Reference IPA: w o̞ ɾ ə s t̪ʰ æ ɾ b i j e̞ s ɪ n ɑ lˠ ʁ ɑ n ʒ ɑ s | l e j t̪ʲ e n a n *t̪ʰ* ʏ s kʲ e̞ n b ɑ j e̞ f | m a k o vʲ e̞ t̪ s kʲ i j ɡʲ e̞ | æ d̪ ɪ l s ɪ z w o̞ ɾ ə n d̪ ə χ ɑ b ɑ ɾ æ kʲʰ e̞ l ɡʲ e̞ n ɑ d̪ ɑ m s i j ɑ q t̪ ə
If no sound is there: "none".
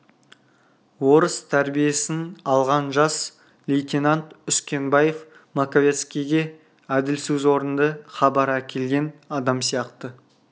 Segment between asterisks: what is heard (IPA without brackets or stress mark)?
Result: t̪